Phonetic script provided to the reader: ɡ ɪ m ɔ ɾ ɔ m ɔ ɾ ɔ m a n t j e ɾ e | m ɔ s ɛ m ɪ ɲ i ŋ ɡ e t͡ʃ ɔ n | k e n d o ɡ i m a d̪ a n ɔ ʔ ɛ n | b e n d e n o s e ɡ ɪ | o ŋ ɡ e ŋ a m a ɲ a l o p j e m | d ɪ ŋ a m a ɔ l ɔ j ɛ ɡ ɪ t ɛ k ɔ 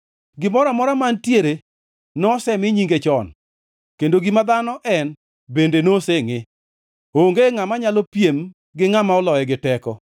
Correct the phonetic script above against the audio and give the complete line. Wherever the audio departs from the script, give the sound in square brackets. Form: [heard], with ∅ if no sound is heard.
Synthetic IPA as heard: ɡ ɪ m ɔ ɾ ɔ m ɔ ɾ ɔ m a n t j e ɾ e | [n] ɔ s ɛ m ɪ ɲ i ŋ ɡ e t͡ʃ ɔ n | k e n d o ɡ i m a d̪ a n ɔ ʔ ɛ n | b e n d e n o s e [ŋ] ɪ | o ŋ ɡ e ŋ a m a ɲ a l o p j e m | [ɡ] ɪ ŋ a m a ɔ l ɔ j ɛ ɡ ɪ t ɛ k ɔ